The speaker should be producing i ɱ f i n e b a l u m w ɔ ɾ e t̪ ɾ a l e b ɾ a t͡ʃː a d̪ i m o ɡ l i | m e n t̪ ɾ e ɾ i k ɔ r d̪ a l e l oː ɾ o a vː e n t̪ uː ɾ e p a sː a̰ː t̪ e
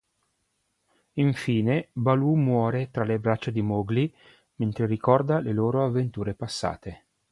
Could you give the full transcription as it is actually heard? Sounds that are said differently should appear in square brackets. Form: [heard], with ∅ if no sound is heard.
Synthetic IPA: i ɱ f [iː] n e b a l u m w [ɔː] ɾ e t̪ ɾ a l e b ɾ a t͡ʃː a d̪ i m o ɡ l i | m e n t̪ ɾ e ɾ i k ɔ r d̪ a l e l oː ɾ o a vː e n t̪ uː ɾ e p a sː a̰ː t̪ e